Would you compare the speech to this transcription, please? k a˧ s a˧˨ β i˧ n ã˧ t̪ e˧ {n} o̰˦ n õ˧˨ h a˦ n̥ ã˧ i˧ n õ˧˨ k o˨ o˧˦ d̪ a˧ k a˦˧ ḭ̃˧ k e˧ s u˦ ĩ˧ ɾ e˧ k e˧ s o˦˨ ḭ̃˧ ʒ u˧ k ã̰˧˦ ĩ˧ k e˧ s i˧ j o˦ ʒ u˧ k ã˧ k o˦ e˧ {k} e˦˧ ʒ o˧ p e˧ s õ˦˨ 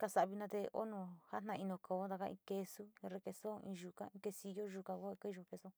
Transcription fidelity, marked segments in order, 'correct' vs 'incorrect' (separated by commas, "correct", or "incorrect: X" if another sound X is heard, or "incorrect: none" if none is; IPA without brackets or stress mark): incorrect: none, correct